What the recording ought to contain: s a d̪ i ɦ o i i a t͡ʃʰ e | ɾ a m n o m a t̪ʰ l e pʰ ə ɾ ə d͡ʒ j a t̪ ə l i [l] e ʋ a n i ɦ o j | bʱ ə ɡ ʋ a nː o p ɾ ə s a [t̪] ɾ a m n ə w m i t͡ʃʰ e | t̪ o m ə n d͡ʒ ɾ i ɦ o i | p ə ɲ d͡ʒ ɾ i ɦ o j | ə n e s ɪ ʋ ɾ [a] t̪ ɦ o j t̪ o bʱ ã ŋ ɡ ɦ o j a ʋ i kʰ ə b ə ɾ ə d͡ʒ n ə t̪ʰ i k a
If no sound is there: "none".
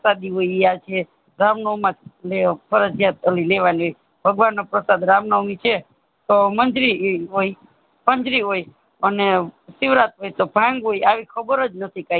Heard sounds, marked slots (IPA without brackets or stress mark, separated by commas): l, d̪, a